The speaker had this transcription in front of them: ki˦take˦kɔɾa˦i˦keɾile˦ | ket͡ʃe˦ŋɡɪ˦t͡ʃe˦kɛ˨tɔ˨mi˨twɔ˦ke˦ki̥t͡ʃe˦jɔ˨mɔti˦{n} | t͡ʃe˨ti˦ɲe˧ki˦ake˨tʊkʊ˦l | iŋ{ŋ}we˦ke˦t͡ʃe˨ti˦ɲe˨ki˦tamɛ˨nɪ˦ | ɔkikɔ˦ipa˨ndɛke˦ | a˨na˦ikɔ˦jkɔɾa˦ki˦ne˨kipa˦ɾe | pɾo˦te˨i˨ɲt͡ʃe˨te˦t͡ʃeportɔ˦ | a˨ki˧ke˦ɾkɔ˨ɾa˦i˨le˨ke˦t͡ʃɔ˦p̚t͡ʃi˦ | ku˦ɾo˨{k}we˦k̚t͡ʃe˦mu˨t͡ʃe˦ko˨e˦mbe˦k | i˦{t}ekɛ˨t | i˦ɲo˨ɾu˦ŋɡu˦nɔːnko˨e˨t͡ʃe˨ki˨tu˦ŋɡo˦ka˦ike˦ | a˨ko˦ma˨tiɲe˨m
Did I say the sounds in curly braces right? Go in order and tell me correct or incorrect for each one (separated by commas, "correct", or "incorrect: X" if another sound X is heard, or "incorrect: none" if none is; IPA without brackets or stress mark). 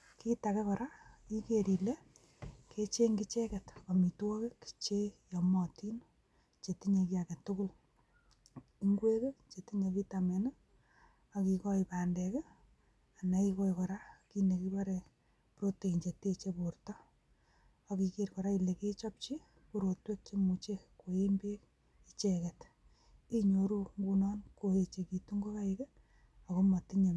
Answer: correct, incorrect: ɡ, incorrect: t, incorrect: t͡ʃ